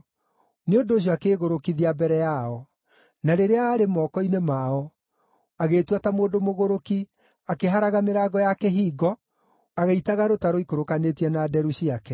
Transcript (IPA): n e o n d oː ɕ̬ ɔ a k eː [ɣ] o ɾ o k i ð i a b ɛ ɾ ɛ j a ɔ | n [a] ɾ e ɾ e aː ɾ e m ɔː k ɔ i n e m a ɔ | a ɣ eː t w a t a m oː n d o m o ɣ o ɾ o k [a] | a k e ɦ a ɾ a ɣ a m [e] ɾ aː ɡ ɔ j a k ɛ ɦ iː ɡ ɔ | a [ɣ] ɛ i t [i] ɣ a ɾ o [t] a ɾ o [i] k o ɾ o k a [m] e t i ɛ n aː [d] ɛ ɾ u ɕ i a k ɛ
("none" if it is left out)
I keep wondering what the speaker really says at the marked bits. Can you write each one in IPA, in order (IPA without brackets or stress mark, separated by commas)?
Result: ɣ, a, i, e, ɣ, a, t, i, n, d